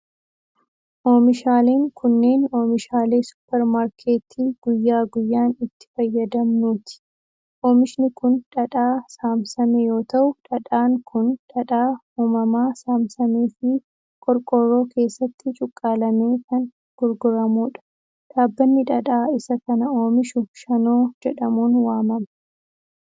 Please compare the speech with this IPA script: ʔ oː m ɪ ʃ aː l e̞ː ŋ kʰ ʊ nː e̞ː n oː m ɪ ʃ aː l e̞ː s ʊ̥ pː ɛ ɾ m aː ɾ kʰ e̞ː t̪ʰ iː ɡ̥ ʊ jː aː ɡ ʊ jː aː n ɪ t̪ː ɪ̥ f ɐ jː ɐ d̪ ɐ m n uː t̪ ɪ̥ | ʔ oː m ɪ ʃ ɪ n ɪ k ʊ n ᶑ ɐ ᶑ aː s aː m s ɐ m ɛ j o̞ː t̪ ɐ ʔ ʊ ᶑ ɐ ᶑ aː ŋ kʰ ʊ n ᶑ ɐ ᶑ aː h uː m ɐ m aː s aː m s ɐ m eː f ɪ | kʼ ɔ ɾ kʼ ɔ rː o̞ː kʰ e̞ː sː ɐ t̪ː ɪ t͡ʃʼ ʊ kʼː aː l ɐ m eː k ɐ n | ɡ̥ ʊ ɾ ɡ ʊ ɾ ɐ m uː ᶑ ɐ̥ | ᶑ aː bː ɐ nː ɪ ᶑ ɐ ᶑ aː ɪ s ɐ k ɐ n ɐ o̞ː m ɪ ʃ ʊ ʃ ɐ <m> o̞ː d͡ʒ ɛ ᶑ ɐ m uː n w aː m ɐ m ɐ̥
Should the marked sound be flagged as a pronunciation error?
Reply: yes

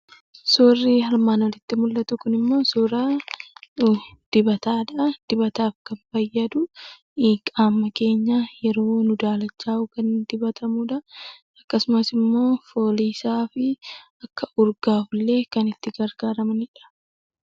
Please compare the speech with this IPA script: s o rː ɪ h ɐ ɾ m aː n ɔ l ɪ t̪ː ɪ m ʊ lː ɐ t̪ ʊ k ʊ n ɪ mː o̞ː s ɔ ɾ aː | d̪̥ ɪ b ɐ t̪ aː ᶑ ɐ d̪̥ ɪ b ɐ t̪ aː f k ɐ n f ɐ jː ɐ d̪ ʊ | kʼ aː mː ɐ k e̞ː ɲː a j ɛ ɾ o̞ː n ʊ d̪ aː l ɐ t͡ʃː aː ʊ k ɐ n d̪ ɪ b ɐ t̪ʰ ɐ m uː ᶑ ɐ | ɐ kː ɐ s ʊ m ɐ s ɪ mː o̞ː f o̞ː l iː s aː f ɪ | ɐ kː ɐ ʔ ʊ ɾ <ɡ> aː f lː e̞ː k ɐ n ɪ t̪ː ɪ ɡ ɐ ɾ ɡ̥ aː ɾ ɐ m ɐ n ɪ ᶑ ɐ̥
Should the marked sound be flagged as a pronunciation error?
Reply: no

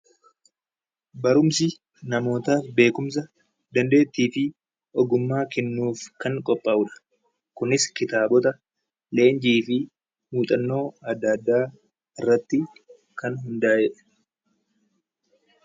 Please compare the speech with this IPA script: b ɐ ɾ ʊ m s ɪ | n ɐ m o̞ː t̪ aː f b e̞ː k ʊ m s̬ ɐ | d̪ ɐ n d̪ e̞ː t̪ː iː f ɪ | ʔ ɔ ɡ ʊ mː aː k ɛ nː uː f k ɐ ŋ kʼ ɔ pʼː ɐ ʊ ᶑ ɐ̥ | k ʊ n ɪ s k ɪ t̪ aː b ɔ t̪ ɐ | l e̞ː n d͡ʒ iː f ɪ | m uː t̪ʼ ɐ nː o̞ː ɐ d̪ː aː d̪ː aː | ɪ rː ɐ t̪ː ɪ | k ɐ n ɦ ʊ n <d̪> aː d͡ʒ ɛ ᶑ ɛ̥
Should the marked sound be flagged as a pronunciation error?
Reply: no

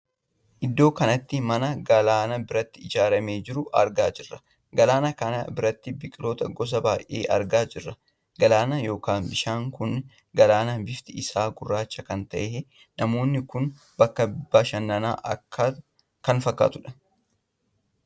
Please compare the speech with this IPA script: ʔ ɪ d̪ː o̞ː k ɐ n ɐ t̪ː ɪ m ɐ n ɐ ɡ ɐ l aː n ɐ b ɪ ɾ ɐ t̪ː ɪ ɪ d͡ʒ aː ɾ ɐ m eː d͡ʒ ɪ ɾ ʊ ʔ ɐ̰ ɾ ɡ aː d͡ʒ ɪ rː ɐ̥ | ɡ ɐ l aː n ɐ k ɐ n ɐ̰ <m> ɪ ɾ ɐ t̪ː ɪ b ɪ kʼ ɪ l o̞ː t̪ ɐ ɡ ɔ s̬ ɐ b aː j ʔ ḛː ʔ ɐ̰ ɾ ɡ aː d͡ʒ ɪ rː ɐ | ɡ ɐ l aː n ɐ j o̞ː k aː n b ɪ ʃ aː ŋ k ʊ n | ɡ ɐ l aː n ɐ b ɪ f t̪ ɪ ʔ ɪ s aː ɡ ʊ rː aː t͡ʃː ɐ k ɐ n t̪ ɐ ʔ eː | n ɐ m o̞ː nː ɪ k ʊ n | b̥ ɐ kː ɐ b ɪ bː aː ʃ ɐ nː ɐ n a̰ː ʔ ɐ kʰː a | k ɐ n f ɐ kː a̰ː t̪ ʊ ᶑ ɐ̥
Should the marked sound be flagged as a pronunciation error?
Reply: yes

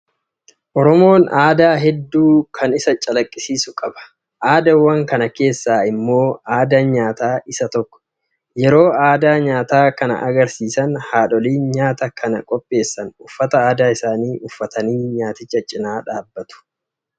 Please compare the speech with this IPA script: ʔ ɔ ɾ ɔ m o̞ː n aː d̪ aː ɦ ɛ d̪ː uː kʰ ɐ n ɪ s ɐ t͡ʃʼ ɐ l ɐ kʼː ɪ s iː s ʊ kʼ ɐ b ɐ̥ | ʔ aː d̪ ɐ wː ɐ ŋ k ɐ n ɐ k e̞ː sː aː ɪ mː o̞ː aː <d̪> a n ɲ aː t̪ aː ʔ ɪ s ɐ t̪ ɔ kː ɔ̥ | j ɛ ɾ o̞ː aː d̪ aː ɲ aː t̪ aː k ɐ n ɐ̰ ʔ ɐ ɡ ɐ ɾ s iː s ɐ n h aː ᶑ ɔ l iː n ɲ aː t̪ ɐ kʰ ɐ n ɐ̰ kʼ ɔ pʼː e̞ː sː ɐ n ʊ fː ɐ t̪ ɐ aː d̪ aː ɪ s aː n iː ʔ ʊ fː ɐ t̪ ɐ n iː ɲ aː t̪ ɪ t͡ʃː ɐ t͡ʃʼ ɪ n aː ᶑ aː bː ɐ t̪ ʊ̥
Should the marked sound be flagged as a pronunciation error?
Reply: no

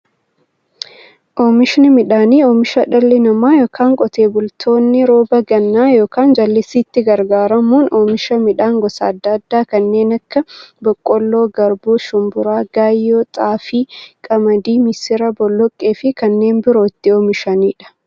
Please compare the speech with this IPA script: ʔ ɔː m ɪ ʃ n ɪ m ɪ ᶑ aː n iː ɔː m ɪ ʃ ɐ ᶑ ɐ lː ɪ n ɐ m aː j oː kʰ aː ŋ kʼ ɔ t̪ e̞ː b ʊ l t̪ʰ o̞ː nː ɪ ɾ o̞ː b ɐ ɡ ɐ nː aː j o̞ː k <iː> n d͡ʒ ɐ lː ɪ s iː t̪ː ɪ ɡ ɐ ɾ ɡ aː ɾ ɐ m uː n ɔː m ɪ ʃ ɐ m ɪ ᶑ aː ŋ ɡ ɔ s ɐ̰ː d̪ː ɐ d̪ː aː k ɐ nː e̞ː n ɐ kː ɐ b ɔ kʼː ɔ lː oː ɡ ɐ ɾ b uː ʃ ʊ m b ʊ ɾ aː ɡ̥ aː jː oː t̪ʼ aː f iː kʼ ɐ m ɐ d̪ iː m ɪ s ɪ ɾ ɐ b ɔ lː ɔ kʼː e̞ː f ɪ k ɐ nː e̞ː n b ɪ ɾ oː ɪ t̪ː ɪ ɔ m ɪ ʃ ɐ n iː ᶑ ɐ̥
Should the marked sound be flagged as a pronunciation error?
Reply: yes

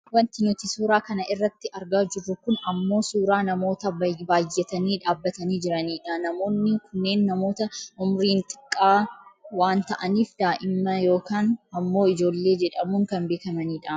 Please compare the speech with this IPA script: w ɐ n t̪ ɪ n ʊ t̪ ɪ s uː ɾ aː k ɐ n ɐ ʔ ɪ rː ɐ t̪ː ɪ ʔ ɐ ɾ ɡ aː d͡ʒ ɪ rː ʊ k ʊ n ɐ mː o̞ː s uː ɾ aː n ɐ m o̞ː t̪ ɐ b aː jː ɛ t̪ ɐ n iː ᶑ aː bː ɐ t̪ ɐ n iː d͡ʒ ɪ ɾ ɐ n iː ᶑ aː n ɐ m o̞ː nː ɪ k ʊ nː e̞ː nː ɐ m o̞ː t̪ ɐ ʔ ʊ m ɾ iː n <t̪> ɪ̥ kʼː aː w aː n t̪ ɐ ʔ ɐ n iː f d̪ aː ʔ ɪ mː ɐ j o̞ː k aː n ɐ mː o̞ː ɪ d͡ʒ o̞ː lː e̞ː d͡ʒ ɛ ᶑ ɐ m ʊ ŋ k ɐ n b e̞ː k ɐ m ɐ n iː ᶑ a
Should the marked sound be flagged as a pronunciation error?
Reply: yes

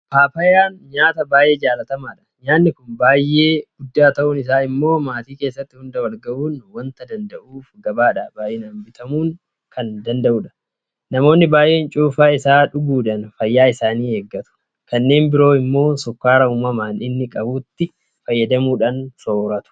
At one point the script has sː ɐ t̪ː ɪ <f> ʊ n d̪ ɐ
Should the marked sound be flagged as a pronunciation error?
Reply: yes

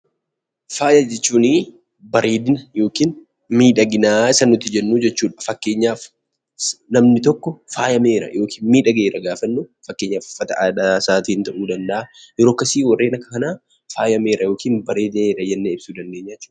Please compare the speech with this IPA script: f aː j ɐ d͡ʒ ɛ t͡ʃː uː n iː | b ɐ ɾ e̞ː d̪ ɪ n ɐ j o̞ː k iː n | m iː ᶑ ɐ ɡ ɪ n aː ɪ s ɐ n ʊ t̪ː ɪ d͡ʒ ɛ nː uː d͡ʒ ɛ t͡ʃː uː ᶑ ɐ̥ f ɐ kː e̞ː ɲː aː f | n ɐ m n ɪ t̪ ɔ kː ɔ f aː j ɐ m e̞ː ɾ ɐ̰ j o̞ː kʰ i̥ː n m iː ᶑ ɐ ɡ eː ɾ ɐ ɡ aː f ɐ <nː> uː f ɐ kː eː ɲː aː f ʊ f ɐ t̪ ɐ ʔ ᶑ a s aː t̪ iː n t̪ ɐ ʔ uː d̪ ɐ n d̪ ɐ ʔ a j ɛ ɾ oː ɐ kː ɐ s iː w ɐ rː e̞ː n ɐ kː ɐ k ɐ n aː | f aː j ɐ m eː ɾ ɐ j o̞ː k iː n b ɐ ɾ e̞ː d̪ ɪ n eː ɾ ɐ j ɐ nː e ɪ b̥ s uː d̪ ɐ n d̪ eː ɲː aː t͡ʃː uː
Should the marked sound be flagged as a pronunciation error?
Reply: no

